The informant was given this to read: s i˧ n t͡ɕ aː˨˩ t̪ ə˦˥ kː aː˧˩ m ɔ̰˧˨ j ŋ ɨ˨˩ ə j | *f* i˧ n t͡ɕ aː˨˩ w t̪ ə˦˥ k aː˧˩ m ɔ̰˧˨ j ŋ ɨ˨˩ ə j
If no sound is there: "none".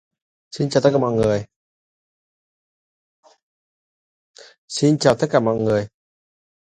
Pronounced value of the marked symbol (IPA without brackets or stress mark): s